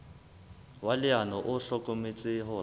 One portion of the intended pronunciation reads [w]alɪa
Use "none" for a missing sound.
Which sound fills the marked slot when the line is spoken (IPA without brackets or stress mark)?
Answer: w